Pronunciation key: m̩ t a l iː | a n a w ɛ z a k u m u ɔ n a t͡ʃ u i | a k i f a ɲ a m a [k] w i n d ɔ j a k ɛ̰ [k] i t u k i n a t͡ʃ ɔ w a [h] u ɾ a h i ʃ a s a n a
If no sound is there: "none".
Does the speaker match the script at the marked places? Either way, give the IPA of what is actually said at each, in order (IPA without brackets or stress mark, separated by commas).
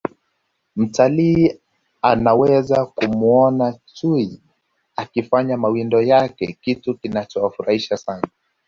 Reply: none, k, f